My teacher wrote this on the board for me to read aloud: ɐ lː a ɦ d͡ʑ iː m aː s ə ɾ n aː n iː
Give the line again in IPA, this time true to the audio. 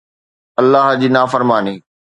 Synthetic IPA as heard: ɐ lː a ɦ d͡ʑ iː n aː f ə ɾ m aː n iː